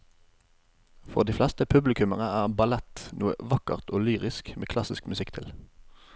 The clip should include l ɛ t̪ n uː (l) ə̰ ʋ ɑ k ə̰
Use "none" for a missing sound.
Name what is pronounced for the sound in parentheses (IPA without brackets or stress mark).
none